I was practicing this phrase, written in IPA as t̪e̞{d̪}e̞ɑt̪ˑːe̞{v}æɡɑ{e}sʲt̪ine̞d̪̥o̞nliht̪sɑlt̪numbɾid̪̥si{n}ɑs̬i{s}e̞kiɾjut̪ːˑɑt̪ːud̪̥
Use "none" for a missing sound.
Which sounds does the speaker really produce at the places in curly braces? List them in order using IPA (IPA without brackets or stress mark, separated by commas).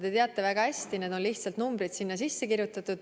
t̪, v, æ, nː, sː